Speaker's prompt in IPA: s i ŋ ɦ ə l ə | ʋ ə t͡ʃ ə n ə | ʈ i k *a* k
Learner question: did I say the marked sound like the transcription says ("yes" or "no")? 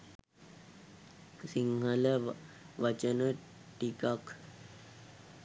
yes